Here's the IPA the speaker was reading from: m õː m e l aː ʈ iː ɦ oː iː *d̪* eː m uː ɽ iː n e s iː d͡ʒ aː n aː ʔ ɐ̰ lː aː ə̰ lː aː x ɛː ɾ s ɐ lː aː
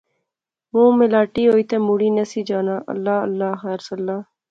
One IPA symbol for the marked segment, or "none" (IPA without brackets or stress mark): t̪